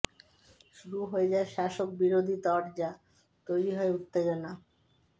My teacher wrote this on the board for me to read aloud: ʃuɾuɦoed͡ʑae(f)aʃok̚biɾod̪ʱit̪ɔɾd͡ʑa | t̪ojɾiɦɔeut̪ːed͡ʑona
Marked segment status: incorrect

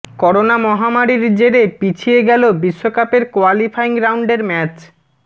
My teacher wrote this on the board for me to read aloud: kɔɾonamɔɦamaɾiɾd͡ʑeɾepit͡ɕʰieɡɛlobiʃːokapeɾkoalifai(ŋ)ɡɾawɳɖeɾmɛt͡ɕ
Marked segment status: correct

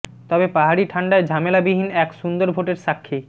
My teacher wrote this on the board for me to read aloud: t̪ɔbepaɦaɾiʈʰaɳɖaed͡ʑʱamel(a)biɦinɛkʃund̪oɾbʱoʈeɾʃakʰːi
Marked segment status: correct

